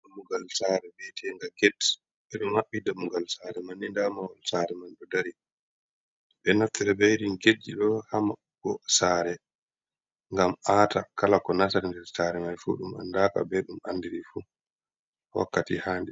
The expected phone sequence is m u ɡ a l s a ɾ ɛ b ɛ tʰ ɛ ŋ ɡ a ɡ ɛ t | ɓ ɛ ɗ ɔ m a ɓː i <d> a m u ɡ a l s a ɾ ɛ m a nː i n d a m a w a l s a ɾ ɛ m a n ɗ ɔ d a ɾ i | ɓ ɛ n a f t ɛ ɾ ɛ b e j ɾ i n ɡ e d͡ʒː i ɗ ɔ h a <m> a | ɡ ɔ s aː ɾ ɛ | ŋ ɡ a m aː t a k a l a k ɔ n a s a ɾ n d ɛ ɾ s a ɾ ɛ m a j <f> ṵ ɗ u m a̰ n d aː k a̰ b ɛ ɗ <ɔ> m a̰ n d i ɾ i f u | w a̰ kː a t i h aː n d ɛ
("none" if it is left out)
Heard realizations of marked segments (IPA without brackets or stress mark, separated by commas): d, m, f, u